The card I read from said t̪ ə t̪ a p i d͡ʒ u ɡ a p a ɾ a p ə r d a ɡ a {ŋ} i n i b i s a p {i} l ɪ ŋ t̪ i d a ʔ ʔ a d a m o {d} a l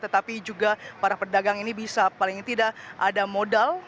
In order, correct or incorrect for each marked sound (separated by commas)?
correct, incorrect, correct